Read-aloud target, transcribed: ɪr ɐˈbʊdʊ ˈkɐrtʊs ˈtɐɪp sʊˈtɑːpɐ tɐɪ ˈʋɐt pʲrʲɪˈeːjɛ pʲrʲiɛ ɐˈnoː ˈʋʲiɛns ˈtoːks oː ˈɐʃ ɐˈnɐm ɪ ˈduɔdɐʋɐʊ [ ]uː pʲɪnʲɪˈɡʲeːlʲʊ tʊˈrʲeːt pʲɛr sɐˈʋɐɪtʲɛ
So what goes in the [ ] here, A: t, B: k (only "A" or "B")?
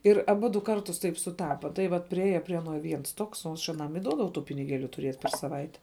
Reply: A